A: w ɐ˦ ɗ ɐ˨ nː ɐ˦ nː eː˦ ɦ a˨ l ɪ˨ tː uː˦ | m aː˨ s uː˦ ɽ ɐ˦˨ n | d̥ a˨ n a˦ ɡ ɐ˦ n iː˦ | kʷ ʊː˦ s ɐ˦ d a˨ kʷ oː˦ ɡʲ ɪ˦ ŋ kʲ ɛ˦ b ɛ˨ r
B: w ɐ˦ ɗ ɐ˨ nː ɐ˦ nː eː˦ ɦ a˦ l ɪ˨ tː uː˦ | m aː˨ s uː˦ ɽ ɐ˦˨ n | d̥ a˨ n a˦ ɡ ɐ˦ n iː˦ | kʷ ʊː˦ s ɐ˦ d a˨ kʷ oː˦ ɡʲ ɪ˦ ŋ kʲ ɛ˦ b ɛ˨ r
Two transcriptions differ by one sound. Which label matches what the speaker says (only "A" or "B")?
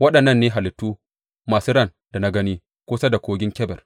A